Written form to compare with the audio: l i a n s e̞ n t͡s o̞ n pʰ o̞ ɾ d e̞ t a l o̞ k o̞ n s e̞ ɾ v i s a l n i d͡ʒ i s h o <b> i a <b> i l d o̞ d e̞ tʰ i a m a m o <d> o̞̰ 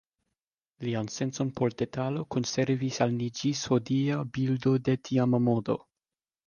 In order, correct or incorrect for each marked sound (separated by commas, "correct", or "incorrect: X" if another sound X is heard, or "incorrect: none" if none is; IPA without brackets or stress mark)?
incorrect: d, correct, correct